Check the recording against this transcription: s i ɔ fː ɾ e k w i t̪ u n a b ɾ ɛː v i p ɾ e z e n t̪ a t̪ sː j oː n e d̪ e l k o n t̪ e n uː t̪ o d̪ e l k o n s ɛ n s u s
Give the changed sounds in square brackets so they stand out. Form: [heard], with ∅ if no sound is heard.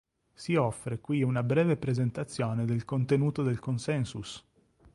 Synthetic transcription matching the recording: s i ɔ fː ɾ e k w i [∅] u n a b ɾ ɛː v [e] p ɾ e z e n t̪ a t̪ sː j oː n e d̪ e l k o n t̪ e n uː t̪ o d̪ e l k o n s ɛ n s u s